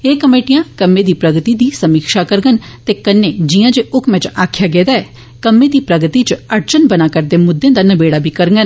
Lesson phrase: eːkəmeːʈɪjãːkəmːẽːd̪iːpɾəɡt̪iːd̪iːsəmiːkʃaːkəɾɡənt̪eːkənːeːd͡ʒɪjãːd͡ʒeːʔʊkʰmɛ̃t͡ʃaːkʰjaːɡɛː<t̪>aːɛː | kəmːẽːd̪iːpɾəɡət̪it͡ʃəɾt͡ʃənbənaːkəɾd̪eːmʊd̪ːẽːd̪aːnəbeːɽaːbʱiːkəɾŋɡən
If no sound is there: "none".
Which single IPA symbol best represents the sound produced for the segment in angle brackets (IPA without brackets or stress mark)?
d̪